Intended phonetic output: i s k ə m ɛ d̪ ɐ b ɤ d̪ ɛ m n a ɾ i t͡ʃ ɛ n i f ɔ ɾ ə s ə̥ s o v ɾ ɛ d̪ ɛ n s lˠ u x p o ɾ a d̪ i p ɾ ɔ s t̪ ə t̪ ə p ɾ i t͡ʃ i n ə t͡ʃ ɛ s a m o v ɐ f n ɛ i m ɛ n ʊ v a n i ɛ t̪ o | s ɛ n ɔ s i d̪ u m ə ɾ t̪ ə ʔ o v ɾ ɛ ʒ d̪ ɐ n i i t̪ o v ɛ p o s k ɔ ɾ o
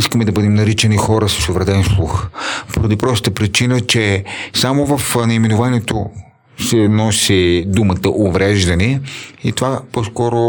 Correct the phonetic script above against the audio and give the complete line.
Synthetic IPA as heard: i s k ə m ɛ d̪ ɐ b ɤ d̪ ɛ m n ɐ ɾ i t͡ʃ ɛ n i x ɔ ɾ ə s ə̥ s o v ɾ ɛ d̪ ɛ n s lˠ u x p o ɾ ɐ d̪ i p ɾ ɔ s t̪ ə t̪ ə p ɾ i t͡ʃ i n ə t͡ʃ ɛ s a m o v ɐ f n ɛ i m ɛ n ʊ v a n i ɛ t̪ o | s ɛ n ɔ s i d̪ u m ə t̪ ə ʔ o v ɾ ɛ ʒ d̪ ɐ n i i t̪ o v a p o s k ɔ ɾ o